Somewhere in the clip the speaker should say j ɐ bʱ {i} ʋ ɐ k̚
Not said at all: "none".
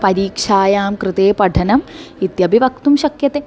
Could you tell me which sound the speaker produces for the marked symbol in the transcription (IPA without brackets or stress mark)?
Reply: i